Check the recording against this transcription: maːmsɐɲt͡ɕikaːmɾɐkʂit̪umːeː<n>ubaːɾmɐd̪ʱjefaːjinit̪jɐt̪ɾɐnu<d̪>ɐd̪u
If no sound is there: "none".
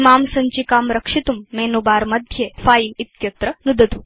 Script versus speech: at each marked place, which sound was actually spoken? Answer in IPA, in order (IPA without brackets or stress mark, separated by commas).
n, d̪